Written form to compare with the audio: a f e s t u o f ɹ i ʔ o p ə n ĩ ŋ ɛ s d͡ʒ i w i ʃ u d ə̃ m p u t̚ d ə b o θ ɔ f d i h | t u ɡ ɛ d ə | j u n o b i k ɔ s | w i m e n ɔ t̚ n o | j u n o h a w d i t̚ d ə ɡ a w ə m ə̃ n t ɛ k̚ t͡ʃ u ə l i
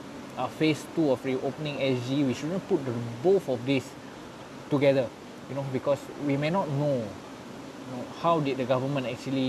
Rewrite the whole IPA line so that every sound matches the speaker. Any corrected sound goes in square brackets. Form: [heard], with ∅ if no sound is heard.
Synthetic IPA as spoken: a f e s t u [ɔ] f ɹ i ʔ o p ə n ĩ ŋ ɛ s d͡ʒ i w i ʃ u d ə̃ [n] p u t̚ d ə b o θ ɔ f d i [s] | t u ɡ ɛ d ə | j u n o b i k ɔ s | w i m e n ɔ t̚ n o | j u n o h a w d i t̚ d ə ɡ a [v] ə m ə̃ n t ɛ k̚ t͡ʃ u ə l i